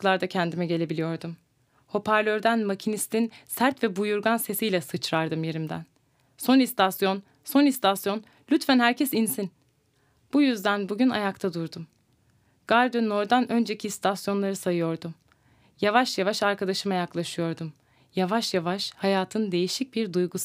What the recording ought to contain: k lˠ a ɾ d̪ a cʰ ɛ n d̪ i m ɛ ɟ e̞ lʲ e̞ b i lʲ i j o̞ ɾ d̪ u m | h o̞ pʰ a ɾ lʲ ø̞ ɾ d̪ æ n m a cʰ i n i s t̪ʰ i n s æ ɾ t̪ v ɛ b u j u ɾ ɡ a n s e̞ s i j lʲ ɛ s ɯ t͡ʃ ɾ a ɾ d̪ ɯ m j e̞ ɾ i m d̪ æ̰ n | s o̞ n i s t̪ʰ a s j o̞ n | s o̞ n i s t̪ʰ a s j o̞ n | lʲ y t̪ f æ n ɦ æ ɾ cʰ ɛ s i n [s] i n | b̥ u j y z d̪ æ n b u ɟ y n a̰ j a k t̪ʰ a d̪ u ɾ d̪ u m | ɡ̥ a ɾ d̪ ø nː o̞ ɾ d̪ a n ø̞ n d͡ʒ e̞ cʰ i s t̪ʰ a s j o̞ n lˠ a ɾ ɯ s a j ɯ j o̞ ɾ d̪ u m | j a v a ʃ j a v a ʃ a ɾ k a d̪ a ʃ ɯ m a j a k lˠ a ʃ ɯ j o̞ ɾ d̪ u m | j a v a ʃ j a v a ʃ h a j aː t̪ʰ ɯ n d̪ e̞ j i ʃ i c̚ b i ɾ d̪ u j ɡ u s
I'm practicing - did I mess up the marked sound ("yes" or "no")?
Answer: no